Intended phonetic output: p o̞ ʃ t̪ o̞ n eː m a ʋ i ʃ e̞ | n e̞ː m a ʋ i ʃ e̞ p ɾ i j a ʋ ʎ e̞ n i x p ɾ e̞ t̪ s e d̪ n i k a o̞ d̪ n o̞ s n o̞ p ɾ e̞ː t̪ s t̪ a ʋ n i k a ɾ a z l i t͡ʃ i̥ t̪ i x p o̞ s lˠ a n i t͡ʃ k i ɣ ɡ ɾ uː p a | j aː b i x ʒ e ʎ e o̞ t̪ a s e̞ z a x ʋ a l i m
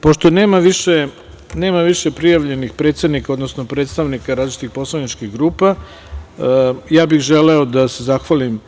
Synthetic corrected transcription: p o̞ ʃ t̪ o̞ n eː m a ʋ i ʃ e̞ | n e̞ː m a ʋ i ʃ e̞ p ɾ i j a ʋ ʎ e̞ n i x p ɾ e̞ t̪ s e d̪ n i k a o̞ d̪ n o̞ s n o̞ p ɾ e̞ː t̪ s t̪ a ʋ n i k a ɾ a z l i t͡ʃ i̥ t̪ i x p o̞ s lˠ a n i t͡ʃ k i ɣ ɡ ɾ uː p a | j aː b i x ʒ e l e o̞ d̪ a s e̞ z a x ʋ a l i m